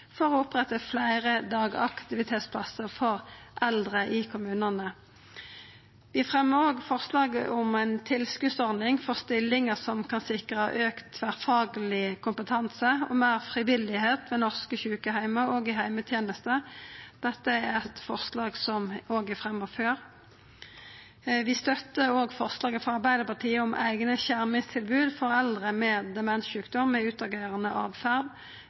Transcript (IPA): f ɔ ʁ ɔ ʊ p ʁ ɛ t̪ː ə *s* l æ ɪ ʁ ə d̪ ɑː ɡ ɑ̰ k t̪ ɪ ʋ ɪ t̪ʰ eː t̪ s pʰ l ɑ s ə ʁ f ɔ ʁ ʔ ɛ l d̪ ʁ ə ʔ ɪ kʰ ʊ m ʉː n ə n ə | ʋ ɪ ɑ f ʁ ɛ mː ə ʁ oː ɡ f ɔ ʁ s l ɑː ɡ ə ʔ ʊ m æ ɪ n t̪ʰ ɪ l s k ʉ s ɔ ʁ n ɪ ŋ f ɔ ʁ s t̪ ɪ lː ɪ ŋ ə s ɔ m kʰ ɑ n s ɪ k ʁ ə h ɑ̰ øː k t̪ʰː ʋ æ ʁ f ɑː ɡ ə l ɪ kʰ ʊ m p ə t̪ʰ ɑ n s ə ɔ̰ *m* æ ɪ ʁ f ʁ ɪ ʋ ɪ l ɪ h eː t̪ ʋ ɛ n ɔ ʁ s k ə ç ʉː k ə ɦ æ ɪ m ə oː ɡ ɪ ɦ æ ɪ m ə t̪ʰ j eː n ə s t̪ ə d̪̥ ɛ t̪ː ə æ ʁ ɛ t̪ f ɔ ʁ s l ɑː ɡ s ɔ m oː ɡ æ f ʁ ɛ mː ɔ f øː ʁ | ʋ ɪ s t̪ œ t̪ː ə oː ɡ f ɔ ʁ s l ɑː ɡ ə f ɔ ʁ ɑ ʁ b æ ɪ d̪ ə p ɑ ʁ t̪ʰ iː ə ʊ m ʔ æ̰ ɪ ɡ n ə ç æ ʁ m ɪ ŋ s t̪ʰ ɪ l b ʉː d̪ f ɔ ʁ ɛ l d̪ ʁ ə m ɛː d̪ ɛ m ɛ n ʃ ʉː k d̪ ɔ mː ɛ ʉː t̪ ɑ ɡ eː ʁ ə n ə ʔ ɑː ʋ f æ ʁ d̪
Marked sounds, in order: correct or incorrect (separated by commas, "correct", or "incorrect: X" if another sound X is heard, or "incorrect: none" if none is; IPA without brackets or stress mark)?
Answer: incorrect: f, correct